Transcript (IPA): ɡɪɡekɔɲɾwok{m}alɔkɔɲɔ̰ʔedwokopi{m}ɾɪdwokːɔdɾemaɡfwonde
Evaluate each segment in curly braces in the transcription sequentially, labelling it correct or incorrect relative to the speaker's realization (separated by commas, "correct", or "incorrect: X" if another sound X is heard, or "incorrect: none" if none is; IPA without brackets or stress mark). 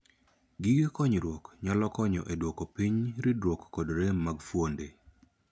incorrect: ɲ, incorrect: ɲ